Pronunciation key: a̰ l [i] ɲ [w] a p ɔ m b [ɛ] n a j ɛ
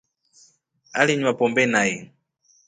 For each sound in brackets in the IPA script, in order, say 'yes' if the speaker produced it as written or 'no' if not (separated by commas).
yes, yes, yes